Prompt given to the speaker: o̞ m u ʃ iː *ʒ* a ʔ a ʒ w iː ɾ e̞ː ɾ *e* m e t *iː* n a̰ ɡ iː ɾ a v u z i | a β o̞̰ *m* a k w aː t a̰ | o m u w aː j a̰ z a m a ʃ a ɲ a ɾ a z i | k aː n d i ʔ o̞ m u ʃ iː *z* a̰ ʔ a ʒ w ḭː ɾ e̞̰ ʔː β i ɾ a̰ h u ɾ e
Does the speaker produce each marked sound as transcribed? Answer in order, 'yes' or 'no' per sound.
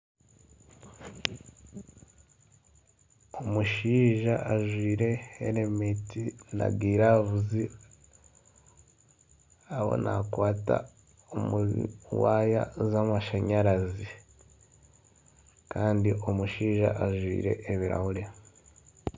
yes, yes, no, no, no

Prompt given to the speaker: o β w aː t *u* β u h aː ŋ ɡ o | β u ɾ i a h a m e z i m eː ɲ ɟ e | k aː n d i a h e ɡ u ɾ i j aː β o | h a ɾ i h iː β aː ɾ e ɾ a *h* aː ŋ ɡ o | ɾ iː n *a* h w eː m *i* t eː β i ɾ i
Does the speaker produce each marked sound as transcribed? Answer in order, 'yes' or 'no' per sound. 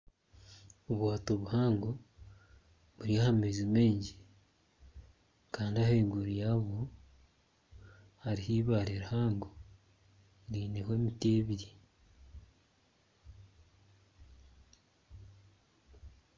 no, yes, no, yes

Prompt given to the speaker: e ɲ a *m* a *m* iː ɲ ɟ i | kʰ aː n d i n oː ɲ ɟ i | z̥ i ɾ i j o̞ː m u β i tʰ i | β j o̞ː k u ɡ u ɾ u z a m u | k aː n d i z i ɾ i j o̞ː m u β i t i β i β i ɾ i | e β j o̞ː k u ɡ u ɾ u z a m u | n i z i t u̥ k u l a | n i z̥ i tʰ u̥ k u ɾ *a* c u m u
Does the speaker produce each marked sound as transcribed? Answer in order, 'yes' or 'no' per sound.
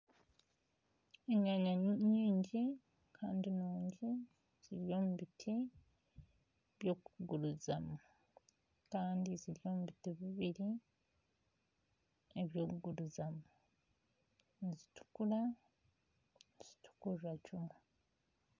no, no, yes

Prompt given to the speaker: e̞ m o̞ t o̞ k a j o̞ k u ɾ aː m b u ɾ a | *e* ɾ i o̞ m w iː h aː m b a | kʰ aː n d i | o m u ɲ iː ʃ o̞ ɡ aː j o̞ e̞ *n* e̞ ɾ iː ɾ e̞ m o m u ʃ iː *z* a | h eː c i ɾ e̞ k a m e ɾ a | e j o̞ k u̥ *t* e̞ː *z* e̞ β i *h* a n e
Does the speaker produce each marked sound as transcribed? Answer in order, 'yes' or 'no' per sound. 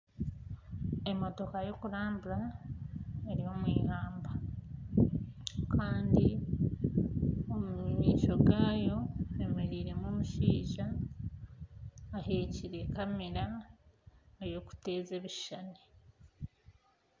yes, no, no, yes, yes, no

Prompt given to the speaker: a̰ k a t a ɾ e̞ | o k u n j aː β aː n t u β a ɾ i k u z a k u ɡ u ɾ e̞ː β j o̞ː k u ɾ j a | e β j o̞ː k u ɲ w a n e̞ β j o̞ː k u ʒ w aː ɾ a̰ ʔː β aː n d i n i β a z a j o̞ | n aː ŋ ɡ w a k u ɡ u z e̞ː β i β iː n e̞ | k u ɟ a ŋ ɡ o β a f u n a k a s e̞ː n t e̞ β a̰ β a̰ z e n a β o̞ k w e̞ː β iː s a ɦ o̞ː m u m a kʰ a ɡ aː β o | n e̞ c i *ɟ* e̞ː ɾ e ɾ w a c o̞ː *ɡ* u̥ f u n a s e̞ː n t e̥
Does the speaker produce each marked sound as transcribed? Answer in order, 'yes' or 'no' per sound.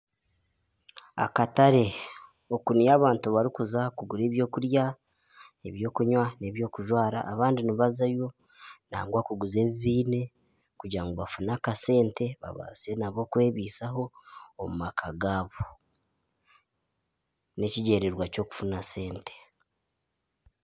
yes, no

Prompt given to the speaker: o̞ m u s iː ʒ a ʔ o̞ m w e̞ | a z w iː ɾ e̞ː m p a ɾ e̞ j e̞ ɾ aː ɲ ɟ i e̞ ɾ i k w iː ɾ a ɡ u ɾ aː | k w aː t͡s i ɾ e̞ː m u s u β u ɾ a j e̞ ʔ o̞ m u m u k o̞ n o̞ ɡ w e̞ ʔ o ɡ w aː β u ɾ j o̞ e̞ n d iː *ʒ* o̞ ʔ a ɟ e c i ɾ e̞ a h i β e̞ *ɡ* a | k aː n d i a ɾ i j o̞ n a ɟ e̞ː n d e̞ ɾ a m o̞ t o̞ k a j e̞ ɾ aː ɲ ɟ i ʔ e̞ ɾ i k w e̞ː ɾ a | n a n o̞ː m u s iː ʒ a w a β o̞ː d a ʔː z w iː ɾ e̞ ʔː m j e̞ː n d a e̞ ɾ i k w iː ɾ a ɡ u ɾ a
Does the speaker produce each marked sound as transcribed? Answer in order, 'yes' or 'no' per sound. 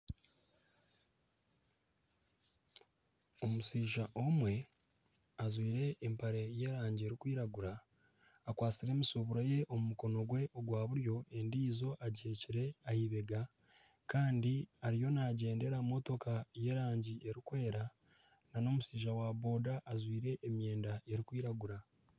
no, yes

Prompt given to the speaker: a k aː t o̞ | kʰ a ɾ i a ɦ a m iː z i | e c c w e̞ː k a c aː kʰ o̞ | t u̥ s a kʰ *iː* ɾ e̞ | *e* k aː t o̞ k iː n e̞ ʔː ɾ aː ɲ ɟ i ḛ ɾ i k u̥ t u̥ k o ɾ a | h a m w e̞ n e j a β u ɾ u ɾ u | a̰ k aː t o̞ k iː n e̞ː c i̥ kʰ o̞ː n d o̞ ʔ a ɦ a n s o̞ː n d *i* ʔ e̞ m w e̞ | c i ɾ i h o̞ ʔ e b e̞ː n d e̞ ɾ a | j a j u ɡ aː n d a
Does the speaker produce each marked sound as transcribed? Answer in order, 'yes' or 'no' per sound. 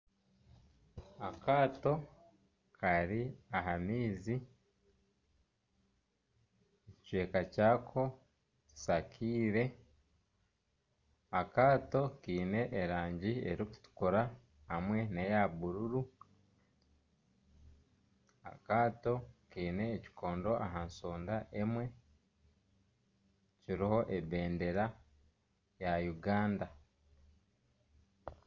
yes, no, no

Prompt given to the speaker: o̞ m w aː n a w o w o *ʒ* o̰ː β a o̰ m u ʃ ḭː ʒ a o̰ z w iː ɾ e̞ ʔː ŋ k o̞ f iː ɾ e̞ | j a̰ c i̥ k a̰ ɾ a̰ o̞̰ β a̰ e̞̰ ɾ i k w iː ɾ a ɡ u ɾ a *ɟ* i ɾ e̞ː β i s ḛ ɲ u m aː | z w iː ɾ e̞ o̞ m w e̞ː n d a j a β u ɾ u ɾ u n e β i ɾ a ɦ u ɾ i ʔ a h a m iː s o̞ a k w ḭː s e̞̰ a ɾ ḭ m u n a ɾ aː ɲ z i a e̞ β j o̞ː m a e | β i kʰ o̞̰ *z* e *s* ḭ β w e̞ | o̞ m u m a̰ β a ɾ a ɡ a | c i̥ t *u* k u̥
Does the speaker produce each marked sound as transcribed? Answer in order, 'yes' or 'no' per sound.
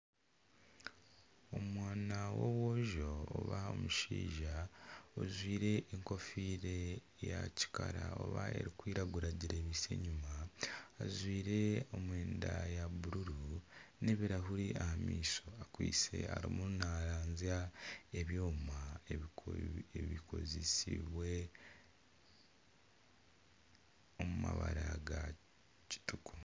yes, yes, yes, yes, yes

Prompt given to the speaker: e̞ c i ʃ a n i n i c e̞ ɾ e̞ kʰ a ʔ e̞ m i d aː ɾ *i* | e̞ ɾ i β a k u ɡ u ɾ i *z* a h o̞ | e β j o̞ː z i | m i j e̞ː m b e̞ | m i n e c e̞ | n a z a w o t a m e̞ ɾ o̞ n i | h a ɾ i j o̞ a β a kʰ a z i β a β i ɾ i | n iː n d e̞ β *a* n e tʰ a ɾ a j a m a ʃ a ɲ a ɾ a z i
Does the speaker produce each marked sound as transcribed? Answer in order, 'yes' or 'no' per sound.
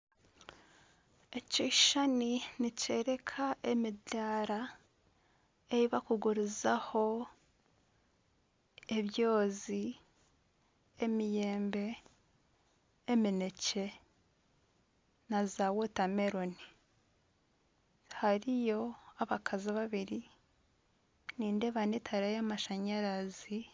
no, yes, yes

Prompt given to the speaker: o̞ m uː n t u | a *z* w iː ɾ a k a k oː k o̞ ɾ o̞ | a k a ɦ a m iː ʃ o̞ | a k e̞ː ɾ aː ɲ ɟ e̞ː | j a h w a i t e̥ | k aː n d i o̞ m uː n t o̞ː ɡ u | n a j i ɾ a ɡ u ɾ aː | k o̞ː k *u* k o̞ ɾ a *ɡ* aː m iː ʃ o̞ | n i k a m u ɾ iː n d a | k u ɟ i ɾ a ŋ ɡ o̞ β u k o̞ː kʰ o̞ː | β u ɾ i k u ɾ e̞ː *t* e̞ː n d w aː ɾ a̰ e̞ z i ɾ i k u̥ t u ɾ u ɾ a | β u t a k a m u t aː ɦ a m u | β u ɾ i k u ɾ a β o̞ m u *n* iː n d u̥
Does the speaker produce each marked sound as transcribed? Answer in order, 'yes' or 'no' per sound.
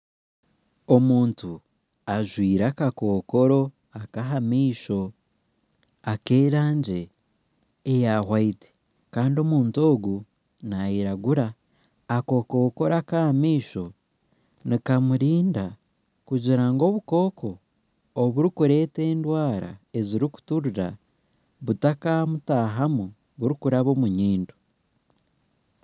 no, no, no, yes, no

